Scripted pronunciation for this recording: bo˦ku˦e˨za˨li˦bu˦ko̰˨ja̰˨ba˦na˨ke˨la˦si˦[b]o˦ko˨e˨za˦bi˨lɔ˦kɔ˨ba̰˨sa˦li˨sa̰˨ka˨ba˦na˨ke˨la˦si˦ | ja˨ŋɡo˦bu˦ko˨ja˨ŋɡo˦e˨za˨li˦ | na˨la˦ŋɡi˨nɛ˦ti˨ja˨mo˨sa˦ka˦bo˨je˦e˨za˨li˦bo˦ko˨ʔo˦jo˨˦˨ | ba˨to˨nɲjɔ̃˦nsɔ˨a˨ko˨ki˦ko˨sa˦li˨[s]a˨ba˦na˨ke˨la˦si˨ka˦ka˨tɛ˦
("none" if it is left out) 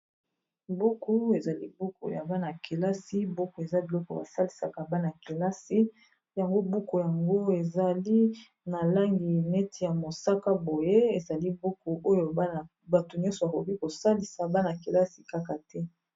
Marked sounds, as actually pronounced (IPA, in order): b, s

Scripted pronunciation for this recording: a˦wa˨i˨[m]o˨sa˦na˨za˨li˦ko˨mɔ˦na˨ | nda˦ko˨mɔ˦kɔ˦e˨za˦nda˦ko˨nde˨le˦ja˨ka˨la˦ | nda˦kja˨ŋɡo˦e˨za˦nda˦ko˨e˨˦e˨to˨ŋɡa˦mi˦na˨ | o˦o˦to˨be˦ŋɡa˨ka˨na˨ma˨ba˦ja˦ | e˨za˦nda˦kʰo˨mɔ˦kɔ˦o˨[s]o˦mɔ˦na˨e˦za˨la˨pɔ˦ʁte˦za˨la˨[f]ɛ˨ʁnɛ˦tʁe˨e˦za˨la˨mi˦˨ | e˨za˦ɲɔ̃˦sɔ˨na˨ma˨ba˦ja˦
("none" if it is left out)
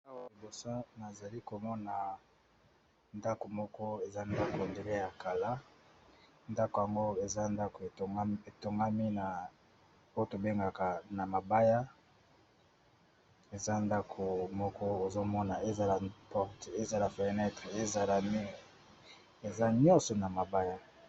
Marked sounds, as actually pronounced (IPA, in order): b, z, f

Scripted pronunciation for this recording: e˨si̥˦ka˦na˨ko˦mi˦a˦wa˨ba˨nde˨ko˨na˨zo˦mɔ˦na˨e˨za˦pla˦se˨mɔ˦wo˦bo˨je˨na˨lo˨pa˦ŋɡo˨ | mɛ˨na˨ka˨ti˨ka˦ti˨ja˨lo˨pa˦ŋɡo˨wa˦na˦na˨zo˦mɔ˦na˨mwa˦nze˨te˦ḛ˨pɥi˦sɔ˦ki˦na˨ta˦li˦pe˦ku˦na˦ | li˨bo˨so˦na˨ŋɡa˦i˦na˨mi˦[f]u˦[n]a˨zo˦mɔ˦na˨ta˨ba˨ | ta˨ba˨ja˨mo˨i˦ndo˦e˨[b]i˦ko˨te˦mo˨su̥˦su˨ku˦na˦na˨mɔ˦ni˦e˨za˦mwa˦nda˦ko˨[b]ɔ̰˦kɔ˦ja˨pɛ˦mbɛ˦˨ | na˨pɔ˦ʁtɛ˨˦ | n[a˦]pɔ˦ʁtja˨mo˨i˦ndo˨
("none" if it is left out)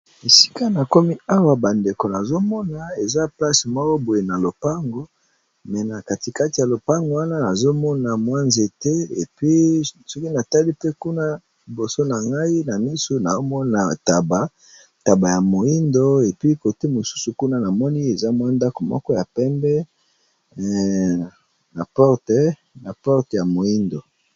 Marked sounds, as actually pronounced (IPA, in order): s, n, p, m, a˨

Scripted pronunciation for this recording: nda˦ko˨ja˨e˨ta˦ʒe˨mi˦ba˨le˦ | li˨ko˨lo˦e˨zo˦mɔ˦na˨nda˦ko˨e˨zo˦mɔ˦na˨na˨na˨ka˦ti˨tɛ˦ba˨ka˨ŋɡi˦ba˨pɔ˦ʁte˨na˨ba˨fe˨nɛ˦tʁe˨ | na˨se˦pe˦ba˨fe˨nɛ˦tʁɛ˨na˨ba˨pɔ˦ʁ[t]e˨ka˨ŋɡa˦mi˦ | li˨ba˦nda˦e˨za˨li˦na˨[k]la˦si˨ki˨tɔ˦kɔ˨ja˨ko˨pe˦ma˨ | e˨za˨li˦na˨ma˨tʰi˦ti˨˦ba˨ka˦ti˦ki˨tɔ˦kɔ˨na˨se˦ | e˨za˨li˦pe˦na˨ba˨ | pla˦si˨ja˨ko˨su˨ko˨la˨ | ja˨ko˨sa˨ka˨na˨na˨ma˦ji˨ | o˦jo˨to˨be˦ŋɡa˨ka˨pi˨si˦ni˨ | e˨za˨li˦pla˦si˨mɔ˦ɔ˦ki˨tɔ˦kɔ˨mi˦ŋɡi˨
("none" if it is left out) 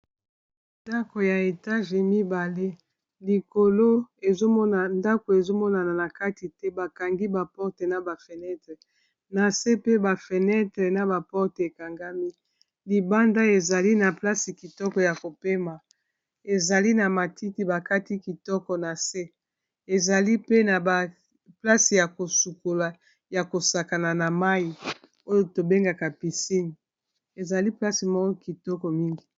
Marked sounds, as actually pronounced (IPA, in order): t, p

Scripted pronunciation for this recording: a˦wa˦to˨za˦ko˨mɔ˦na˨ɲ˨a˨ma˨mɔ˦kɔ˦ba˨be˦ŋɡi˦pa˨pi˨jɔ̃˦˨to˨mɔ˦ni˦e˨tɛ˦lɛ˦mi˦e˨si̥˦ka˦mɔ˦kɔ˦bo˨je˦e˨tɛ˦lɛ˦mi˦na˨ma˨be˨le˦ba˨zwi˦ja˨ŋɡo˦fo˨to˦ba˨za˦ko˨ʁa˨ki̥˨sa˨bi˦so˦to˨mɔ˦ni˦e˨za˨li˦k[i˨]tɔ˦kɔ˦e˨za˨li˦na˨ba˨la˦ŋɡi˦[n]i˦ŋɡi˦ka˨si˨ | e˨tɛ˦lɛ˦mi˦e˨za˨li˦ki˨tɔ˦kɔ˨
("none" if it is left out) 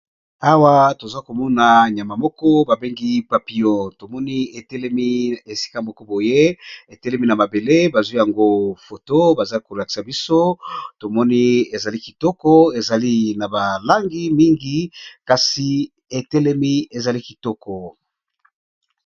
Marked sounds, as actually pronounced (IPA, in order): i˨, m

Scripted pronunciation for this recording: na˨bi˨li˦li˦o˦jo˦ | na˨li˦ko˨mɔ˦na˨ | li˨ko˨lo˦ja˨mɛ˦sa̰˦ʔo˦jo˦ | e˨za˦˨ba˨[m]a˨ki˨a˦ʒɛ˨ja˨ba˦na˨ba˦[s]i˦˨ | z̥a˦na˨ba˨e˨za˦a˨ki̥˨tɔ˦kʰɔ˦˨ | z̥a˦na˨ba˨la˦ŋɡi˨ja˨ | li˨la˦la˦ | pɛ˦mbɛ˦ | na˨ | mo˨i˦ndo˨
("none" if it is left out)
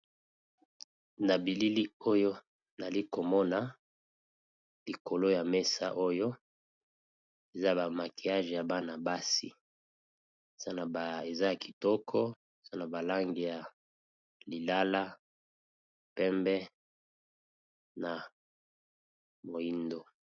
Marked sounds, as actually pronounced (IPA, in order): m, s

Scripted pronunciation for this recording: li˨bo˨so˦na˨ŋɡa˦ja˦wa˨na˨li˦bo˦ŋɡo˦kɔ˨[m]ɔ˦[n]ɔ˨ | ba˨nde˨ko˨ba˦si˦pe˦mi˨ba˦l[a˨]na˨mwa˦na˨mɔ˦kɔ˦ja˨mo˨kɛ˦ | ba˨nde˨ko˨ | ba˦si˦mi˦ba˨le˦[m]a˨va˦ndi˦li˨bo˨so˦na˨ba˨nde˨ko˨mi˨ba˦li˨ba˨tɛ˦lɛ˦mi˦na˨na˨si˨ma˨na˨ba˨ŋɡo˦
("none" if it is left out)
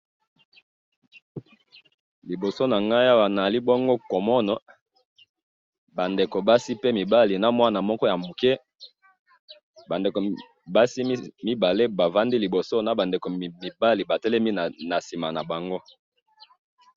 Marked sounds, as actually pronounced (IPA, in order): m, n, i˨, b

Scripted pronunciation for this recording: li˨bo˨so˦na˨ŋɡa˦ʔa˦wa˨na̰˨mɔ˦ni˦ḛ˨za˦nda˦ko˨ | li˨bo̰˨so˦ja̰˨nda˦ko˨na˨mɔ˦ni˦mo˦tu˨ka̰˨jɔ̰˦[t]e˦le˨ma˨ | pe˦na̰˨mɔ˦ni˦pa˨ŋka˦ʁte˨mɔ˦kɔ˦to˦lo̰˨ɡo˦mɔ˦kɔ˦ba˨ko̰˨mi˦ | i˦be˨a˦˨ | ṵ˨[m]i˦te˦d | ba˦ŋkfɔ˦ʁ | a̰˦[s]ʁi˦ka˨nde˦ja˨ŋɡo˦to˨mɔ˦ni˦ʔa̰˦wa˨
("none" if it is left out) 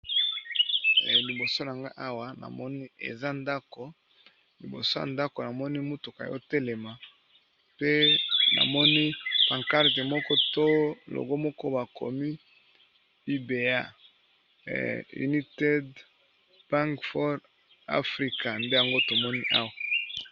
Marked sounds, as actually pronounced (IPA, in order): t, n, f

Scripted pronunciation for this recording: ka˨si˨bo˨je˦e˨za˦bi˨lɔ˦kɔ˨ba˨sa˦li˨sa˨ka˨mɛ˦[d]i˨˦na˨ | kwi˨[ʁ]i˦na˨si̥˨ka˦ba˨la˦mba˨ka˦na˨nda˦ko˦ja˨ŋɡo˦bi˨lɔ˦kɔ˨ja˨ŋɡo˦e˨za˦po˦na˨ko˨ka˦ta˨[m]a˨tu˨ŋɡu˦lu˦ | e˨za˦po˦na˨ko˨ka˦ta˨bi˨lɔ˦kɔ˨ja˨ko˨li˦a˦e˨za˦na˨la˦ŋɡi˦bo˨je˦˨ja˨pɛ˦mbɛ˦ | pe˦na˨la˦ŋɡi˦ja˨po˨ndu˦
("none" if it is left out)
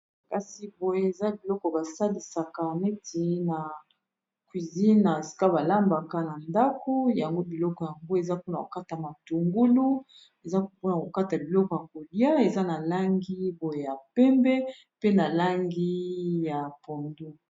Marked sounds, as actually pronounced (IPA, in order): t, z, m

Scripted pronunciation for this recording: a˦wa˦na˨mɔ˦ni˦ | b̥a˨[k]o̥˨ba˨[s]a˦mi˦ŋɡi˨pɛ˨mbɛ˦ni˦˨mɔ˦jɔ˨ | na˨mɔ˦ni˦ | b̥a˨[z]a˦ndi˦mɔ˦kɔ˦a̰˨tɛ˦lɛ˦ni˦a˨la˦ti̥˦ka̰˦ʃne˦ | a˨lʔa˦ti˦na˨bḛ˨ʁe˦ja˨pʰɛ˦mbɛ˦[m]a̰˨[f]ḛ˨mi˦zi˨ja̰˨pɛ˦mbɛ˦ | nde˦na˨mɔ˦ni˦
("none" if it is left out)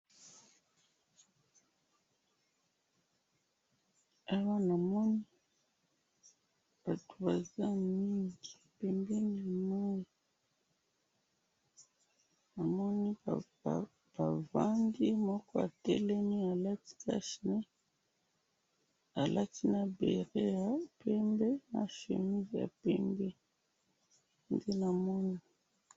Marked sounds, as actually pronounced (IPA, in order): t, z, v, n, ʃ

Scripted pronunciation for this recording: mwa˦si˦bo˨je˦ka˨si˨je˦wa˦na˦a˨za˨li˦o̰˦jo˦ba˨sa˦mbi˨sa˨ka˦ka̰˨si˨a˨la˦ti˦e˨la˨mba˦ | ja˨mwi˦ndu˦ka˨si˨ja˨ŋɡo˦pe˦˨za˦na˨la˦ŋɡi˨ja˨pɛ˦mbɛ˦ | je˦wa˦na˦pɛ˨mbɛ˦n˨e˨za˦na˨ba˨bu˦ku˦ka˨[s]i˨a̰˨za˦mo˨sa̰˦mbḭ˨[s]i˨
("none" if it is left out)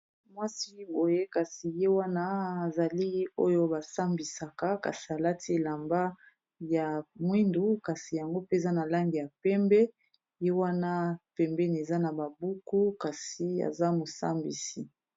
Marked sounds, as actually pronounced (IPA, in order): s, s

